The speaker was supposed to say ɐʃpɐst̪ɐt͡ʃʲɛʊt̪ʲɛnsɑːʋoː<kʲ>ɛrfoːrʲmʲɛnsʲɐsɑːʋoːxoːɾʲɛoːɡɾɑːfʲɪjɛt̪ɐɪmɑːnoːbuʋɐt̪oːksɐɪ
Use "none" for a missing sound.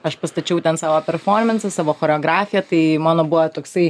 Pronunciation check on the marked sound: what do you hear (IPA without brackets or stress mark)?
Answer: pʲ